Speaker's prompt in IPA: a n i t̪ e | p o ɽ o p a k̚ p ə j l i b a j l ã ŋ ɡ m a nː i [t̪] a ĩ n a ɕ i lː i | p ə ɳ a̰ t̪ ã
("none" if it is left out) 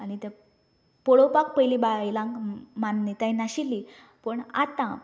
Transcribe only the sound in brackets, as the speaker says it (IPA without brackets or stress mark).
t̪